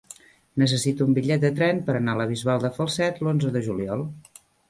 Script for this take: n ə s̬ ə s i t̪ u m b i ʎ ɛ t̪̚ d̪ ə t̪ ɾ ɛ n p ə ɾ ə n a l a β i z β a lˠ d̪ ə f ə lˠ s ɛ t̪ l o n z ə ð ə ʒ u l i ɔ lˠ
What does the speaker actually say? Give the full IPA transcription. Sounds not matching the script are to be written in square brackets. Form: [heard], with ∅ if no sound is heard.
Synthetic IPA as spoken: n ə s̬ ə s i t̪ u m b i ʎ ɛ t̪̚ d̪ ə t̪ ɾ ɛ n p ə ɾ ə n a l [ə] β i z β a lˠ d̪ ə f ə lˠ s ɛ t̪ l o n z ə ð ə ʒ u l i ɔ lˠ